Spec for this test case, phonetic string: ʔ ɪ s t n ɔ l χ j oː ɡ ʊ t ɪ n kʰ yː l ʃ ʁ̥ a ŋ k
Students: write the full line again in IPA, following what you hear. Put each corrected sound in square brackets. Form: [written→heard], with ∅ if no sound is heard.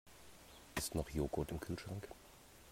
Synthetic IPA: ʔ ɪ s t n ɔ [l→∅] χ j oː ɡ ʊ t ɪ [n→m] kʰ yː l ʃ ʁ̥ a ŋ k